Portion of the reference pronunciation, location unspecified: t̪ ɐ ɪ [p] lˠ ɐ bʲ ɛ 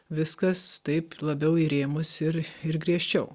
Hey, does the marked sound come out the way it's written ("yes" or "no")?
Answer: yes